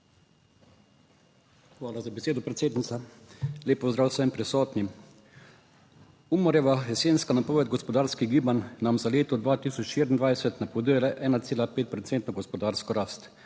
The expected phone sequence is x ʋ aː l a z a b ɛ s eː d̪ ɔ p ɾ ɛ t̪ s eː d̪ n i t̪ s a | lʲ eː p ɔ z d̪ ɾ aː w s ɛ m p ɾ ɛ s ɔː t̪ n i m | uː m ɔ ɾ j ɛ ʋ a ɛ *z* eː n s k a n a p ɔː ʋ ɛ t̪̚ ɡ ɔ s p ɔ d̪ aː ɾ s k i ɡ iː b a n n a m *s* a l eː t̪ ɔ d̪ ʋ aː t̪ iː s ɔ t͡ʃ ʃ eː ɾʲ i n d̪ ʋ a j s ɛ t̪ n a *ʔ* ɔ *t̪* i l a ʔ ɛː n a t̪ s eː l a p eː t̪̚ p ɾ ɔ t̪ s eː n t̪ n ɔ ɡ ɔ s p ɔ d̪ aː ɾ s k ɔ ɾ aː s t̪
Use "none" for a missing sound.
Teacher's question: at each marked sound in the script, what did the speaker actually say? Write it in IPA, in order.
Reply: s, z, p, d̪

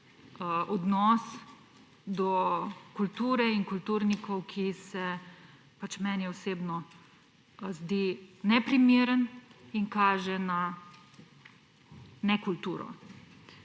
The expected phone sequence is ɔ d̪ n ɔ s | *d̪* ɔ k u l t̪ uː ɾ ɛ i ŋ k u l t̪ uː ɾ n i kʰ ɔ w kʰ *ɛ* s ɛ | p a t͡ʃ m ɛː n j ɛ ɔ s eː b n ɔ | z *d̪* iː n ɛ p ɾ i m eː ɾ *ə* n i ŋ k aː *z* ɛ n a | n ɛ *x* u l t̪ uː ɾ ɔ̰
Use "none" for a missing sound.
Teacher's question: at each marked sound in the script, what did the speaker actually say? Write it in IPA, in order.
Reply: d̪, i, d̪, ə, ʒ, k

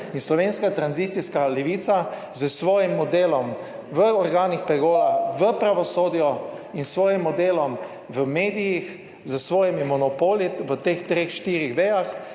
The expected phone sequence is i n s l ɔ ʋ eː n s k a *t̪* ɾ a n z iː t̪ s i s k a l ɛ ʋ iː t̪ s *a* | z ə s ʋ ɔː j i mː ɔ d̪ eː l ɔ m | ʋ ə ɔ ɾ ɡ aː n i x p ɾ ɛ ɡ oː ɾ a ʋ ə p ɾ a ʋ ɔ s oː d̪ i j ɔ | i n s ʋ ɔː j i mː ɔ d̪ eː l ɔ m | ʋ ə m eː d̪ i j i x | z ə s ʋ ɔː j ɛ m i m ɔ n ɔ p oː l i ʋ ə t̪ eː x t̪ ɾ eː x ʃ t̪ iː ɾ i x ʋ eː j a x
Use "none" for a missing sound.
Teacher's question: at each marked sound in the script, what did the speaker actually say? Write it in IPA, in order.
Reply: t̪, a

